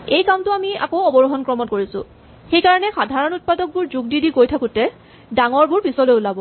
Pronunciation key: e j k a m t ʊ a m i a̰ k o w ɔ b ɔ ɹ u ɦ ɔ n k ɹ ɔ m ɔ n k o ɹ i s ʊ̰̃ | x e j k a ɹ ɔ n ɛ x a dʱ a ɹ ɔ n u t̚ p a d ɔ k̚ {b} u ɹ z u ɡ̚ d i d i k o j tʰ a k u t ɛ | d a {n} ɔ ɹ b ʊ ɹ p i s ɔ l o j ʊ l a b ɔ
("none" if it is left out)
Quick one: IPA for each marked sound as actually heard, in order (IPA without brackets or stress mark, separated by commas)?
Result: b, ŋ